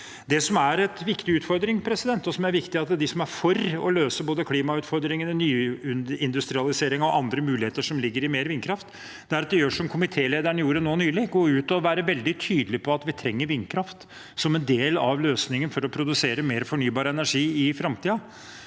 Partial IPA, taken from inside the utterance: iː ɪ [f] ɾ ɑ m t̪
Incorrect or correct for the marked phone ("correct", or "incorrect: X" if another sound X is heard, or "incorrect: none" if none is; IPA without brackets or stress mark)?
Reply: correct